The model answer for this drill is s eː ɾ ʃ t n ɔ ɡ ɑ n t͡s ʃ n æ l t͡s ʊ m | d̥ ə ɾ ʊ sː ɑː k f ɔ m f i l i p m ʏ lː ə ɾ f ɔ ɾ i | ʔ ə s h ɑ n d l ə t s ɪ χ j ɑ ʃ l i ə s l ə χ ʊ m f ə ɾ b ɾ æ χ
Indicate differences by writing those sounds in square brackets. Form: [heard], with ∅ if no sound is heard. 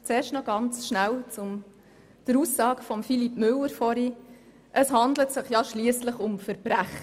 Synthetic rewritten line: [t͡s] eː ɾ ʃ t n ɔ ɡ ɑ n t͡s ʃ n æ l t͡s ʊ m | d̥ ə ɾ [u] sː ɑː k f ɔ m f i l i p m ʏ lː ə ɾ f ɔ ɾ i | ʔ ə s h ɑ n d l ə t s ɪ χ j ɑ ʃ l i ə s l ə χ ʊ m f ə ɾ b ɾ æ χ